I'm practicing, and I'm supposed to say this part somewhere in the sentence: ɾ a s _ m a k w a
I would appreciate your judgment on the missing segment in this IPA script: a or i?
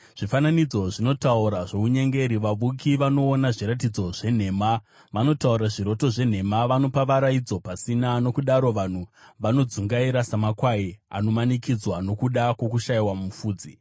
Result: a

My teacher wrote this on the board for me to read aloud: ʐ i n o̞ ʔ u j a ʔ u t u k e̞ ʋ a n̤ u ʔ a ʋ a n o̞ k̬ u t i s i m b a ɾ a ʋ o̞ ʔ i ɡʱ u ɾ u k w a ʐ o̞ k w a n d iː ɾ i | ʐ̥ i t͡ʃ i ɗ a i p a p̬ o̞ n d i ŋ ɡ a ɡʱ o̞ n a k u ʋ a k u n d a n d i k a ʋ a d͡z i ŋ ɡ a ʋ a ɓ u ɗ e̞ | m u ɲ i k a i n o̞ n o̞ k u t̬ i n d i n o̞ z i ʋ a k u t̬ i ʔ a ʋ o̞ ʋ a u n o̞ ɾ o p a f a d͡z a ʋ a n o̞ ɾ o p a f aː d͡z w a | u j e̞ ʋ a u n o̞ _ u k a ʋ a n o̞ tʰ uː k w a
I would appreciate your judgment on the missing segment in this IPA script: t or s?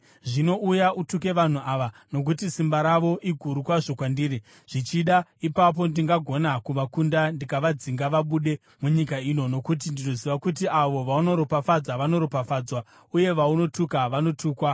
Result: t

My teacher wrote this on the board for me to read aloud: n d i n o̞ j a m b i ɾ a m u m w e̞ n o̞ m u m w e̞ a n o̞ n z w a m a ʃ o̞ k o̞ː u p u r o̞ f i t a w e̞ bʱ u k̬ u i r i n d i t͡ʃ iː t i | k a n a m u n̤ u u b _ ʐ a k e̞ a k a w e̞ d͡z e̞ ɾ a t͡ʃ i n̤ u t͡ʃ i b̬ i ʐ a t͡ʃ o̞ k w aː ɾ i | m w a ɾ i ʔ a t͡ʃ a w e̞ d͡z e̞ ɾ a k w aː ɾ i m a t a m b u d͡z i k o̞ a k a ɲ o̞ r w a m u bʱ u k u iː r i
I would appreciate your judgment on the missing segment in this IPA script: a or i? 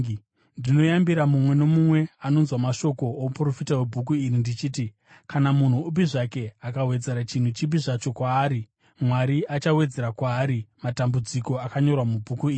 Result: i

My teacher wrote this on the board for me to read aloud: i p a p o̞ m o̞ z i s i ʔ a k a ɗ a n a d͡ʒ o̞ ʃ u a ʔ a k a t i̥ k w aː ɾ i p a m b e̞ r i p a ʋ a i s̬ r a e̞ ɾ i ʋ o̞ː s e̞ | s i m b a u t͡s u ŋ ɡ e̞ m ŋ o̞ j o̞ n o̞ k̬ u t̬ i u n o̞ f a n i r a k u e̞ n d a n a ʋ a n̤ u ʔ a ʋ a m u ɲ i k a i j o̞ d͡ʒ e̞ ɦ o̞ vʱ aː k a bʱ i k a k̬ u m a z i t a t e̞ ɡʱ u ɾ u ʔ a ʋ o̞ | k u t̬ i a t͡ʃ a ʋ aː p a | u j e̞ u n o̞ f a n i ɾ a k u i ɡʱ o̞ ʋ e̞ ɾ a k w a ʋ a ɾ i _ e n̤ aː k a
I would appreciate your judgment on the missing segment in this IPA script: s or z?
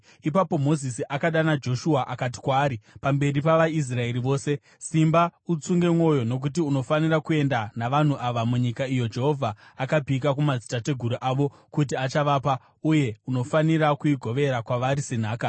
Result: s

